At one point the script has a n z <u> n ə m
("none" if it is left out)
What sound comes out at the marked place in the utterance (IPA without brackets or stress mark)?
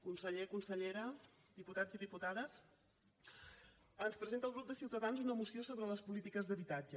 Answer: u